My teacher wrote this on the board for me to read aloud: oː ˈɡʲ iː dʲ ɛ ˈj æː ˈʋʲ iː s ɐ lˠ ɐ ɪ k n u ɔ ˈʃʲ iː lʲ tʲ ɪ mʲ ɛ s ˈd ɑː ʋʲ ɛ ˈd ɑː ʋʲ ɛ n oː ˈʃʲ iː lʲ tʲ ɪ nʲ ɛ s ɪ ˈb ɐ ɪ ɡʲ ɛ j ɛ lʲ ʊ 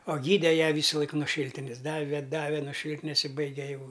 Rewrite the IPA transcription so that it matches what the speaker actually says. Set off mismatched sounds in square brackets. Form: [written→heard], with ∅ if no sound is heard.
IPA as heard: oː ˈɡʲ iː dʲ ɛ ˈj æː ˈʋʲ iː s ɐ lˠ ɐ ɪ k n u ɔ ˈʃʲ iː lʲ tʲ ɪ [mʲ→nʲ] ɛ s ˈd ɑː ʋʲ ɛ ˈd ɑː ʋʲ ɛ n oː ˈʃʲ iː lʲ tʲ ɪ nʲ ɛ s ɪ ˈb ɐ ɪ ɡʲ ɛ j ɛ [lʲ→∅] ʊ